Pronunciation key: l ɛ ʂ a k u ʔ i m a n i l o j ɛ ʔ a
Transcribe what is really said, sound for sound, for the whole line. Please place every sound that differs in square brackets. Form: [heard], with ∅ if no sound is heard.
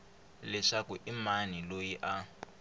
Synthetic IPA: l ɛ ʂ a k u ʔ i m a n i l o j [i] ʔ a